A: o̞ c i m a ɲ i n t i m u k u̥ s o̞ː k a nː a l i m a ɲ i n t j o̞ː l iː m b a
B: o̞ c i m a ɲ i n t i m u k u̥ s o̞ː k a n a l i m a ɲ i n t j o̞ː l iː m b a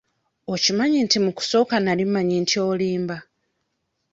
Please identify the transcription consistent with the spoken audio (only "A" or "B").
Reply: B